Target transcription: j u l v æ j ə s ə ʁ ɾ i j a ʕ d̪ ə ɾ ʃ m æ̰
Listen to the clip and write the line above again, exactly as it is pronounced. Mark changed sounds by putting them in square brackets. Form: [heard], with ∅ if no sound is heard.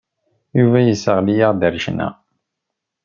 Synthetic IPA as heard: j u [∅] v æ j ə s ə ʁ [l] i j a [ʁ] d̪ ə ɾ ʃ [n] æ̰